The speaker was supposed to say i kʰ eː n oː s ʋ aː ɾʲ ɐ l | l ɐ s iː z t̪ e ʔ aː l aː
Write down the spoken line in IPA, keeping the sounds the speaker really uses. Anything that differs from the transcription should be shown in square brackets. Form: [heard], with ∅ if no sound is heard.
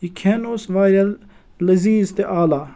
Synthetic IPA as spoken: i kʰ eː n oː s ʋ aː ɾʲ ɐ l | l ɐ [z] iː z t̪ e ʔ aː l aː